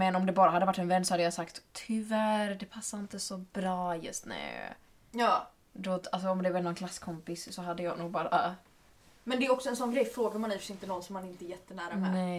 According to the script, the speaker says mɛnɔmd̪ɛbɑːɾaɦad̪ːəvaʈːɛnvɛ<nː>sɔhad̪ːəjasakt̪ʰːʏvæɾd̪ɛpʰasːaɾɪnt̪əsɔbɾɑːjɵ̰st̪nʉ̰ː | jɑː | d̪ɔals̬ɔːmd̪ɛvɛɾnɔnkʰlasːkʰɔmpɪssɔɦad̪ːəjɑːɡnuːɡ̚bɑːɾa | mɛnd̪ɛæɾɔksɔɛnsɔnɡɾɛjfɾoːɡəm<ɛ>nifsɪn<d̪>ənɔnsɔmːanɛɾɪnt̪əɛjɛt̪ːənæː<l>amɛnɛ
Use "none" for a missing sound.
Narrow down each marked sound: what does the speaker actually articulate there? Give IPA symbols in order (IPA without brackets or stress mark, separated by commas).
nː, a, t̪, ɾ